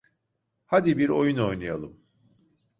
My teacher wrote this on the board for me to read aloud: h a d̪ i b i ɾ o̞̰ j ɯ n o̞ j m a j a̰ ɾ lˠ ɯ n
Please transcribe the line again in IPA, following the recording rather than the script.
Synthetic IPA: h a d̪ i b i ɾ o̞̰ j u n o̞ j n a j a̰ lˠ ɯ m